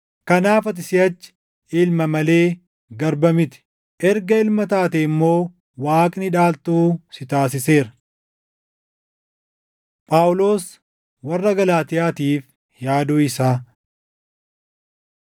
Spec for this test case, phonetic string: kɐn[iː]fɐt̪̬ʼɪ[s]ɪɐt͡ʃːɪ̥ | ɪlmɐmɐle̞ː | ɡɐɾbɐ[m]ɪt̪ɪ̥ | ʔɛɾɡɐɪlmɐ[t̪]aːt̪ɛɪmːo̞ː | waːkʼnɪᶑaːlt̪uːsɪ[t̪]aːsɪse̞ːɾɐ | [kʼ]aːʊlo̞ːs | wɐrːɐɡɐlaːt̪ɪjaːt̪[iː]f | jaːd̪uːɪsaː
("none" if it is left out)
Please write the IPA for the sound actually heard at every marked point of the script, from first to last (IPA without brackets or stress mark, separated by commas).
aː, s, m, t̪, t̪, pʼ, iː